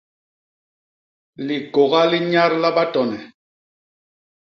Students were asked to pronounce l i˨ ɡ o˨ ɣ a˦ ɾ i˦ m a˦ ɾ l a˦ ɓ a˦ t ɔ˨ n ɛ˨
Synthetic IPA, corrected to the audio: l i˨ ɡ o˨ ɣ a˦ l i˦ ɲ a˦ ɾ l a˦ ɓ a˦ t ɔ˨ n ɛ˨